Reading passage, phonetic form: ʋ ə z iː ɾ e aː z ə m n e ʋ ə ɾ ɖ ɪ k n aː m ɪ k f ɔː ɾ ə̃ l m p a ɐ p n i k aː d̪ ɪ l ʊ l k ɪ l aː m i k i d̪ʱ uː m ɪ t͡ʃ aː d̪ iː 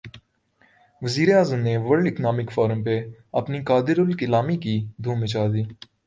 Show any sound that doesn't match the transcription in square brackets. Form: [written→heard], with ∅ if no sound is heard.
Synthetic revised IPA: ʋ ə z iː ɾ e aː z ə m n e ʋ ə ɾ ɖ ɪ k n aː m ɪ k f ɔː ɾ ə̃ [l→∅] m p [a→e] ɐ p n i k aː d̪ ɪ [l→ɾ] ʊ l k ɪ l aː m i k i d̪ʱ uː m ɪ t͡ʃ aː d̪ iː